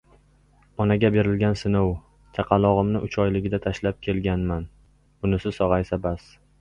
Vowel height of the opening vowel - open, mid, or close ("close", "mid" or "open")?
open